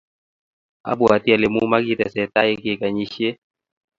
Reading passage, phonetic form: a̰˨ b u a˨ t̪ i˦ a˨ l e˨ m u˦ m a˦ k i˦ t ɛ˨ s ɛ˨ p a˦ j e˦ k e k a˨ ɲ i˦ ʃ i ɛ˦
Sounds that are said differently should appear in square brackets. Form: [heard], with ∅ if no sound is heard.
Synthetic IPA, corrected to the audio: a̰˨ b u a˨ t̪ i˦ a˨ l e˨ m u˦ m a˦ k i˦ t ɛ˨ s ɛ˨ [t] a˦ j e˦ k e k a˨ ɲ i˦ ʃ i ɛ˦

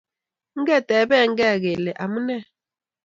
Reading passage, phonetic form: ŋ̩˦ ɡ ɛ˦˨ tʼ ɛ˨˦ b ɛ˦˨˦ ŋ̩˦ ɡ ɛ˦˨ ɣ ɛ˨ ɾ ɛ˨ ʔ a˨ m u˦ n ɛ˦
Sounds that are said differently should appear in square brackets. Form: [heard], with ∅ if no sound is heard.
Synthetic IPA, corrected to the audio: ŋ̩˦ ɡ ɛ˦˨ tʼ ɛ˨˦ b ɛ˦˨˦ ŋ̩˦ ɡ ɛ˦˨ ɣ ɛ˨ [l] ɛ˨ ʔ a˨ m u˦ n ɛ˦

